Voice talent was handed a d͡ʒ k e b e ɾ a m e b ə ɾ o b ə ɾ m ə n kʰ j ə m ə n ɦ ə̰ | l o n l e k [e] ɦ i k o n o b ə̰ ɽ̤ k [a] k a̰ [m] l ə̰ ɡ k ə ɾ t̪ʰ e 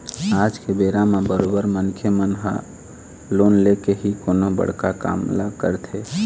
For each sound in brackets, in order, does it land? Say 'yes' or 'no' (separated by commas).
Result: yes, yes, yes